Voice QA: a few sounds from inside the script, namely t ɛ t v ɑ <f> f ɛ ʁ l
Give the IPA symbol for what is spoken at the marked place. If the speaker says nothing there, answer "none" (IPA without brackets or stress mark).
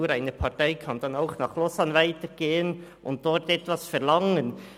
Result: s